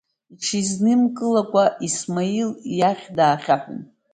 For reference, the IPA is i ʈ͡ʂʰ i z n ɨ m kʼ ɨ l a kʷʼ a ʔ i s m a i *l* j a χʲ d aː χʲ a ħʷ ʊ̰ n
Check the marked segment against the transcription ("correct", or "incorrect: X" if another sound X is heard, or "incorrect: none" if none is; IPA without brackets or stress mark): correct